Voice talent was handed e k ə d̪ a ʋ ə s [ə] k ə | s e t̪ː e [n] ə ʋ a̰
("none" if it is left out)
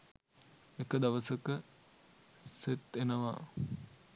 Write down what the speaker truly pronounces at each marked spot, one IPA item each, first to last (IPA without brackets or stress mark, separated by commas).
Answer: ə, n